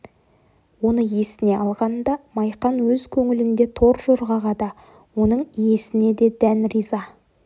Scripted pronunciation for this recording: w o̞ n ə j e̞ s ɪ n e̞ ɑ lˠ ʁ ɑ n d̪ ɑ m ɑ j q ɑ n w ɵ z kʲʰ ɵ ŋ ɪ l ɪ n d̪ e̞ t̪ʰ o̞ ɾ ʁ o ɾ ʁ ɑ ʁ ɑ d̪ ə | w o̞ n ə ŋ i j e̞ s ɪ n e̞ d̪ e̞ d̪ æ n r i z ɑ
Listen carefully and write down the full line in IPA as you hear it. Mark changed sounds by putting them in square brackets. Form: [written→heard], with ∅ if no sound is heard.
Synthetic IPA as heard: w o̞ n ə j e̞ s ɪ n e̞ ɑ lˠ ʁ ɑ n d̪ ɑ m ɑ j q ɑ n w ɵ z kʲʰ ɵ ŋ ɪ l ɪ n d̪ e̞ t̪ʰ o̞ ɾ [ʁ→ʒ] o ɾ ʁ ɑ ʁ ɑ d̪ [ə→ɑ] | w o̞ n ə [ŋ→ɴ] i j e̞ s ɪ n e̞ d̪ e̞ d̪ æ n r i z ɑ

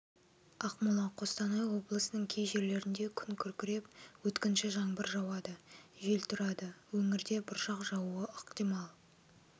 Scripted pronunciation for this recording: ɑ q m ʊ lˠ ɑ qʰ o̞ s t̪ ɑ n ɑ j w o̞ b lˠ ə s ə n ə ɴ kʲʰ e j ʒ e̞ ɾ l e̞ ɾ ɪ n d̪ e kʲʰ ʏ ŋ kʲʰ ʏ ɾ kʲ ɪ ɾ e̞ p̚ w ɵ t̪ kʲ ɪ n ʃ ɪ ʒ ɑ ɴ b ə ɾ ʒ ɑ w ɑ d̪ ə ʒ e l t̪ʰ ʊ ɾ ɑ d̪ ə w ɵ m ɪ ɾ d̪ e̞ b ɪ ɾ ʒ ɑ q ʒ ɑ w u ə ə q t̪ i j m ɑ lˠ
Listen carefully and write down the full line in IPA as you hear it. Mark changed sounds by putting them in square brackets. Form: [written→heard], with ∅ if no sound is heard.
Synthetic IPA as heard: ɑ q m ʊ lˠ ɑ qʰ o̞ s t̪ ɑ n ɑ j w o̞ b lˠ ə s ə n ə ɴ kʲʰ e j ʒ e̞ ɾ l e̞ ɾ ɪ n d̪ e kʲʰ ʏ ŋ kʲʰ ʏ ɾ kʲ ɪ ɾ e̞ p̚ w ɵ t̪ kʲ ɪ n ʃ ɪ ʒ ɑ ɴ b ə ɾ ʒ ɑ w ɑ d̪ ə ʒ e l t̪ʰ ʊ ɾ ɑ d̪ ə w ɵ [m→ŋ] ɪ ɾ d̪ e̞ b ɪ ɾ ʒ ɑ q ʒ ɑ w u ə ə q t̪ i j m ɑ lˠ

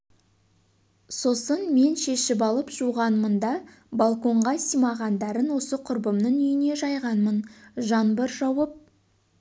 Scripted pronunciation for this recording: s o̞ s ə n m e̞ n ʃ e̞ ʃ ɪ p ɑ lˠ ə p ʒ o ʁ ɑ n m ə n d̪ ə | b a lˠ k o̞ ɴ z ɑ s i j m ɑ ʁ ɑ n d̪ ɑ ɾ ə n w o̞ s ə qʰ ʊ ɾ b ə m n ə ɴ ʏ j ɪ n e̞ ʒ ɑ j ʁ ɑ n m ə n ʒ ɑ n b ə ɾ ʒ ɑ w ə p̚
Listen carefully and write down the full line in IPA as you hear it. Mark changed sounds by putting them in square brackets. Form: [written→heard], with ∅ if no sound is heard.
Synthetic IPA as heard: s o̞ s ə n m e̞ n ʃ e̞ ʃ ɪ p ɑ lˠ ə p ʒ [o→u] ʁ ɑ n m ə n d̪ [ə→ɑ] | b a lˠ k o̞ ɴ [z→ʁ] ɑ s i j m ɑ ʁ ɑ n d̪ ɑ ɾ ə n w o̞ s ə qʰ ʊ ɾ b ə m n ə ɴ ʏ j ɪ n e̞ ʒ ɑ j ʁ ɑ n m ə n ʒ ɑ n b ə ɾ ʒ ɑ w ə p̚

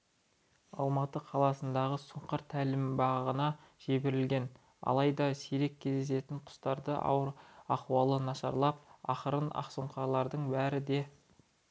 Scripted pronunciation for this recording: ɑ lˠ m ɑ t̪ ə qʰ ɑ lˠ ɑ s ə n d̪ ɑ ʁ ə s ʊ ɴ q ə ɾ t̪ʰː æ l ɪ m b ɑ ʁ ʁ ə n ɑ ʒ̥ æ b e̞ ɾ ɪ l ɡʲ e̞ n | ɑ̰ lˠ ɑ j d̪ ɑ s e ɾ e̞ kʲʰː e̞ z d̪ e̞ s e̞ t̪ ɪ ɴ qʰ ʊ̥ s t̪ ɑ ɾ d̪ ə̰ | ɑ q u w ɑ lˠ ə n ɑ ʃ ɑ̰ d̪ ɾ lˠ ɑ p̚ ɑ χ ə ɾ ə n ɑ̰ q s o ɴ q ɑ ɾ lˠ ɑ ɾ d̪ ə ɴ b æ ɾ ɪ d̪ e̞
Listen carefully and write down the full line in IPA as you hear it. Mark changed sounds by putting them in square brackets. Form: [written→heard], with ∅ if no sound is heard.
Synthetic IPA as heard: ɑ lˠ m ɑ t̪ ə qʰ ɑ lˠ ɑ s ə n d̪ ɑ ʁ ə s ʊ ɴ q ə ɾ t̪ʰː æ l ɪ m b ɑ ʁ ʁ ə n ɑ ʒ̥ [æ→e] b e̞ ɾ ɪ l ɡʲ e̞ n | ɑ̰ lˠ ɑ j d̪ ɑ s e ɾ e̞ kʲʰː e̞ z d̪ e̞ s e̞ t̪ ɪ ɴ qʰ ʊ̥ s t̪ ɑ ɾ d̪ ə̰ | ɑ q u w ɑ lˠ ə n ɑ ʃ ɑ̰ [d̪→∅] ɾ lˠ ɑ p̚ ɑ χ ə ɾ ə n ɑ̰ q s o ɴ q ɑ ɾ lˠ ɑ ɾ d̪ ə ɴ b æ ɾ ɪ d̪ e̞

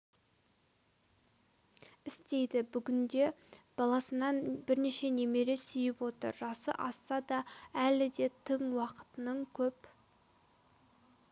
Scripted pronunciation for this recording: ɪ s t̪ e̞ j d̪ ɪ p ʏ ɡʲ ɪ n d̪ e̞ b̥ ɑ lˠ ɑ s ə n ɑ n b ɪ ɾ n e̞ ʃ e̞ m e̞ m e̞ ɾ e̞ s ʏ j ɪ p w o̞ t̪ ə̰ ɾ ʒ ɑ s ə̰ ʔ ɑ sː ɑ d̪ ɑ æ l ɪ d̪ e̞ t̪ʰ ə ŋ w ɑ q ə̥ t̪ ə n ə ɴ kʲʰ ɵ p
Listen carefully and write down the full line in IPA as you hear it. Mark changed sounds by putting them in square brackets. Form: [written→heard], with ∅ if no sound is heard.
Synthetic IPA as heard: ɪ s t̪ e̞ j d̪ ɪ [p→b] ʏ ɡʲ ɪ n d̪ e̞ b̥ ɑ lˠ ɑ s ə n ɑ n b ɪ ɾ n e̞ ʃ e̞ [m→n] e̞ m e̞ ɾ e̞ s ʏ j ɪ p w o̞ t̪ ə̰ ɾ ʒ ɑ s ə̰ ʔ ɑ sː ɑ d̪ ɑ æ l ɪ d̪ e̞ t̪ʰ ə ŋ w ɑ q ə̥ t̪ ə n ə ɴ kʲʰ ɵ p

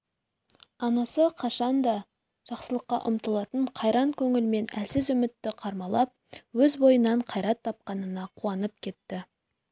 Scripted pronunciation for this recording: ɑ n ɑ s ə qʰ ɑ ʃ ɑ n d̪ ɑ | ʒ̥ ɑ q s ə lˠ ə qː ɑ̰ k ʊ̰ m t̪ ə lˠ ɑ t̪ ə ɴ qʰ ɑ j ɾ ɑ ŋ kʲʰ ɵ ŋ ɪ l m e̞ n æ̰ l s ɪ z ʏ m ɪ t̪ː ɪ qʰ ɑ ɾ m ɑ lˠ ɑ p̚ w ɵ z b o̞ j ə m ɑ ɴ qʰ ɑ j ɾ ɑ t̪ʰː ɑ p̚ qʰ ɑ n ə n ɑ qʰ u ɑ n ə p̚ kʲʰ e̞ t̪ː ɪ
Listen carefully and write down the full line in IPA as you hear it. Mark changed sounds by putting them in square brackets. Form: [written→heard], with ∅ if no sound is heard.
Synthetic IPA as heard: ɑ n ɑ s ə qʰ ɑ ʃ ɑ n d̪ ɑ | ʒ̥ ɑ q s ə lˠ ə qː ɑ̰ [k→ʔ] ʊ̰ m t̪ ə lˠ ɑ t̪ ə ɴ qʰ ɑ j ɾ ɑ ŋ kʲʰ ɵ ŋ ɪ l m e̞ n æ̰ l s ɪ z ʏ m ɪ t̪ː ɪ qʰ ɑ ɾ m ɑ lˠ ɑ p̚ w ɵ z b o̞ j ə [m→n] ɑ ɴ qʰ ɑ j ɾ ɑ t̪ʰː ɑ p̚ [qʰ→q] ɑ n ə n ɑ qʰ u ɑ n ə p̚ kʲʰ e̞ t̪ː ɪ

